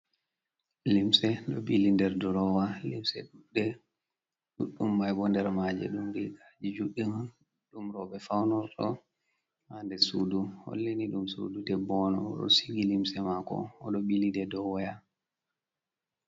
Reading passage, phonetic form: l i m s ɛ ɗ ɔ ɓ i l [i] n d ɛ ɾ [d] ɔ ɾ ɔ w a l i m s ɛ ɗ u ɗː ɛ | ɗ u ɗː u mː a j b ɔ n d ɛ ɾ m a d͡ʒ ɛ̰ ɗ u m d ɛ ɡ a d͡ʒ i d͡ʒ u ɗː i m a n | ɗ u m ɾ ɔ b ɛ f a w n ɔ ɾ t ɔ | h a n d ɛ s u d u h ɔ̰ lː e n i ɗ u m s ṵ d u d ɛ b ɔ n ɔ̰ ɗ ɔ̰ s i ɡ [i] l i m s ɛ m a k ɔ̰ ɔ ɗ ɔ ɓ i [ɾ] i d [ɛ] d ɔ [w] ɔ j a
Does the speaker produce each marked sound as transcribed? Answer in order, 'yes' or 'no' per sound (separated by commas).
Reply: yes, yes, yes, no, yes, yes